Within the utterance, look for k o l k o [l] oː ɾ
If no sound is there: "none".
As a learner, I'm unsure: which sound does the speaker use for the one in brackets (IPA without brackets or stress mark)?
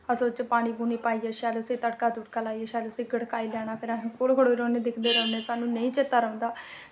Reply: ɽ